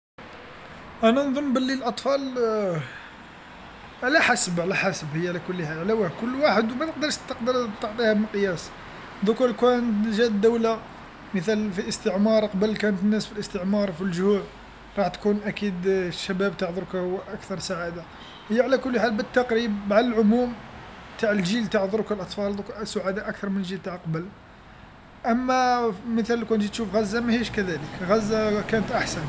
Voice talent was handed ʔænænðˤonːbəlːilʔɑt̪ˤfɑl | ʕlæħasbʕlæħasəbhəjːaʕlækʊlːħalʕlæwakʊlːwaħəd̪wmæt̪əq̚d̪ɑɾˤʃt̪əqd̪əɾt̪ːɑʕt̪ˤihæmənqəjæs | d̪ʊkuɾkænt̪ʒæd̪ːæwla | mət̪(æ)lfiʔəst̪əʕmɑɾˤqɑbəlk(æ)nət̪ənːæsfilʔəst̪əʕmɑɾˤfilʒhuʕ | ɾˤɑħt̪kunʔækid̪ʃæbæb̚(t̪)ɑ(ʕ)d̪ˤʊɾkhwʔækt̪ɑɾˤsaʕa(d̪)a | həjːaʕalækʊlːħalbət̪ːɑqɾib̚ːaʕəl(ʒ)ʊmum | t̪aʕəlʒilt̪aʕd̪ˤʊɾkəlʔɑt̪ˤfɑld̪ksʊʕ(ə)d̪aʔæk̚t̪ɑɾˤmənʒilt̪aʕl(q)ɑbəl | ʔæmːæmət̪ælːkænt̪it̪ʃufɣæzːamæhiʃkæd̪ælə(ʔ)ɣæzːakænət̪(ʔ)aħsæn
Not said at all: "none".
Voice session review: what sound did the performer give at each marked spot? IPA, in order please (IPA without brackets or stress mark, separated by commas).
æ, æ, t̪, ʕ, d̪, ʕ, a, q, k, ʔ